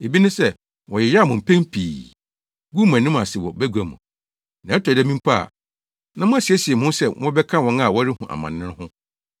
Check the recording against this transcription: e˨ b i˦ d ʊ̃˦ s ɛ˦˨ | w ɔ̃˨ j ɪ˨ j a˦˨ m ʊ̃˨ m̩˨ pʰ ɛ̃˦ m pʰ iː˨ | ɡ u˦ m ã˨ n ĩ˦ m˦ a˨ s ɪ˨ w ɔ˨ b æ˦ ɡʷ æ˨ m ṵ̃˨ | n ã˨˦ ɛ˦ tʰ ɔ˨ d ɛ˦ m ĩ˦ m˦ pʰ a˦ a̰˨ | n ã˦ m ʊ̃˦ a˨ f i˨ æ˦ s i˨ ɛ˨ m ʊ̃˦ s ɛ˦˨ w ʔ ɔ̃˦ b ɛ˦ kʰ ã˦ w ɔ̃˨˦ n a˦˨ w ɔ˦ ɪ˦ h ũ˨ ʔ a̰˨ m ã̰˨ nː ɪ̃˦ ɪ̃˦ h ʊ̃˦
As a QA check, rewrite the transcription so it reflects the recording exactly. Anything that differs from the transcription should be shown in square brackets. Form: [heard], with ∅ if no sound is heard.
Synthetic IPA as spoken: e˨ b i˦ [n] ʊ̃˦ s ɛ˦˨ | w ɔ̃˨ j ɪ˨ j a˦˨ m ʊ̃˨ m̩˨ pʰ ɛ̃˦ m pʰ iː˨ | ɡ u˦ m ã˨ n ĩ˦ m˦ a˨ s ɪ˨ w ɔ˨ b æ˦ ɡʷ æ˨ m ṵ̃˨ | n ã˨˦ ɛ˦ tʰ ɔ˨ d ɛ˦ m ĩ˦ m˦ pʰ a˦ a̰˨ | n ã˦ m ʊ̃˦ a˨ [s] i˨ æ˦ s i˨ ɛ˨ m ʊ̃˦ s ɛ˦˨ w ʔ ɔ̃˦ b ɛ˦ kʰ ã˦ w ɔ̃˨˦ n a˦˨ w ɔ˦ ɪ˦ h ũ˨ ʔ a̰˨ m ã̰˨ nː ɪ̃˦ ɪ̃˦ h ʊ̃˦

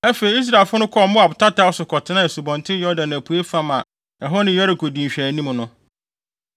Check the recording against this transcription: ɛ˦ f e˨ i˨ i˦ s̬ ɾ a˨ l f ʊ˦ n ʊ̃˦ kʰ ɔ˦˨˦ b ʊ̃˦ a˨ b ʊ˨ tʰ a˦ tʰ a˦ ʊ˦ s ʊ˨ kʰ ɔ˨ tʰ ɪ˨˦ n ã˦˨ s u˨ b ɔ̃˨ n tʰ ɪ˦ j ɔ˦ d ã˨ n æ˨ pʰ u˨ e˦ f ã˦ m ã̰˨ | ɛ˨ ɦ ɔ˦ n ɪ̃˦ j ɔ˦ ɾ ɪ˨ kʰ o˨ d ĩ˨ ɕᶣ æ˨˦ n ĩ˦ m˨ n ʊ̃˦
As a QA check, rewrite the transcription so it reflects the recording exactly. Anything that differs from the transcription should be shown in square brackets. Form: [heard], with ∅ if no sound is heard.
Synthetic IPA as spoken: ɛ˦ f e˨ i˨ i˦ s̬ ɾ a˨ l f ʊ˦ n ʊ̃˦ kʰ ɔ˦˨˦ [m] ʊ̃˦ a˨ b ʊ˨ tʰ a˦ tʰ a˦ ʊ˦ s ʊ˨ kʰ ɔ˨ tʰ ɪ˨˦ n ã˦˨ s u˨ b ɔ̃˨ n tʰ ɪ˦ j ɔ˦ d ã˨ n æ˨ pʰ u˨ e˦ f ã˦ m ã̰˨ | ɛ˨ ɦ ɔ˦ n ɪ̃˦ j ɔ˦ ɾ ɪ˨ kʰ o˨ d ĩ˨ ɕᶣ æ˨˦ n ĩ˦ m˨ n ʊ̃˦

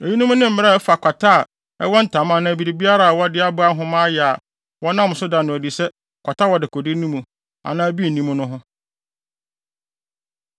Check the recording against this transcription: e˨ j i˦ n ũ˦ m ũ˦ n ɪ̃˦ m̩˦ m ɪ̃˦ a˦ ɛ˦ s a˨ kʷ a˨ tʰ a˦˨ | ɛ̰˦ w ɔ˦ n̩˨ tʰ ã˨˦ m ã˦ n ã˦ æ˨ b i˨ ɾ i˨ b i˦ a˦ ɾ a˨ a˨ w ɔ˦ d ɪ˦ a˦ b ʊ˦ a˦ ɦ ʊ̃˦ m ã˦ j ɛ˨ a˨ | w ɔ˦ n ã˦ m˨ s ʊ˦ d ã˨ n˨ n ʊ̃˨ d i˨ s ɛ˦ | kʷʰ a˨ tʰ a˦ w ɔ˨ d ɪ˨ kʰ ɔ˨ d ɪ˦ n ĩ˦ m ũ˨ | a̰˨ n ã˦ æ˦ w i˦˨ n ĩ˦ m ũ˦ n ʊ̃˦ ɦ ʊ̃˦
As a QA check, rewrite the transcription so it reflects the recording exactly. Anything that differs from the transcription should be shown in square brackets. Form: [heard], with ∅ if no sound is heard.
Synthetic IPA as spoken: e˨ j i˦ n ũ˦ m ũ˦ n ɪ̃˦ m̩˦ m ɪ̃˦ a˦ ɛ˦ [f] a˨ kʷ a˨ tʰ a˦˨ | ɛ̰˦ w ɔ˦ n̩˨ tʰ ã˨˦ m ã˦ n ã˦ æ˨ b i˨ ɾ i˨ b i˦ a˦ ɾ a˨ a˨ w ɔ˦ d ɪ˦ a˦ b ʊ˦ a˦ ɦ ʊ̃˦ m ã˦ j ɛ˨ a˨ | w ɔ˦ n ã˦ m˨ s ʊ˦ d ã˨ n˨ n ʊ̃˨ d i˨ s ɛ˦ | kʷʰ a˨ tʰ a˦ w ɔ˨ d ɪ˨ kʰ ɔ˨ d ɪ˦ n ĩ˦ m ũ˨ | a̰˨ n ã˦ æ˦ [b] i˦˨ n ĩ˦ m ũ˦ n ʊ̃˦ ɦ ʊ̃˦

